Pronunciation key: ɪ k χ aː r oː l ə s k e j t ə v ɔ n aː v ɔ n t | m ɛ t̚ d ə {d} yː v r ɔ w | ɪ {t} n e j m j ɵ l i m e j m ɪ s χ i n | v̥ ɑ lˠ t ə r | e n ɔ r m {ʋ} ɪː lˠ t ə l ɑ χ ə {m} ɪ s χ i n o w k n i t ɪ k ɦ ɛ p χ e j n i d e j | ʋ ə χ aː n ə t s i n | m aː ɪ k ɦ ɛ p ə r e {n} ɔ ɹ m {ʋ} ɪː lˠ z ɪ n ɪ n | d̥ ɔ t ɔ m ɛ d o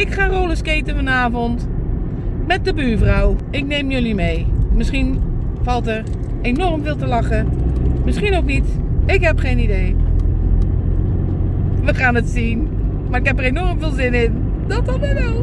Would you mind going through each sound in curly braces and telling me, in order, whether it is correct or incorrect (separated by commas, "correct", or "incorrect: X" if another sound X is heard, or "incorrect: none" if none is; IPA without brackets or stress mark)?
incorrect: b, incorrect: k, incorrect: v, correct, correct, incorrect: v